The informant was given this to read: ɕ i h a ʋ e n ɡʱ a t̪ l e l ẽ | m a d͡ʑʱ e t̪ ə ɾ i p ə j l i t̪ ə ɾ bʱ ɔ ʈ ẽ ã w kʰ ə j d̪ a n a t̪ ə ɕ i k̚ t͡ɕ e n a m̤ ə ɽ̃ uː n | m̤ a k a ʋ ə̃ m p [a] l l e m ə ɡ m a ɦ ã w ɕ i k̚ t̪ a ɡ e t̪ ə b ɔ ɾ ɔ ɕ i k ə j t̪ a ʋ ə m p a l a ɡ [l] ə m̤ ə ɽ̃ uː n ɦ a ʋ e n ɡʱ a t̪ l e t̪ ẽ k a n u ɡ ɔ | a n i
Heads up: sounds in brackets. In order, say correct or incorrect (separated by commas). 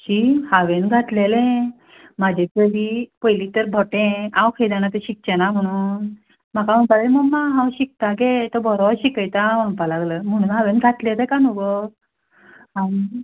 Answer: correct, correct